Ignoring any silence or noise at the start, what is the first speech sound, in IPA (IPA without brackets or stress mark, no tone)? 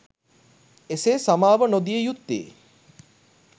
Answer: e